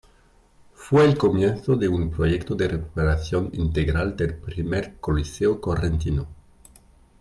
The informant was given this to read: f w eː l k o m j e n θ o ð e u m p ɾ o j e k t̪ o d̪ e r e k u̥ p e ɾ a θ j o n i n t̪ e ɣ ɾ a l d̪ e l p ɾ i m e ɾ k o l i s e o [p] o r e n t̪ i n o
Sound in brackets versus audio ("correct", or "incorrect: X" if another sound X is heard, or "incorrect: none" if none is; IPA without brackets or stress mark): incorrect: k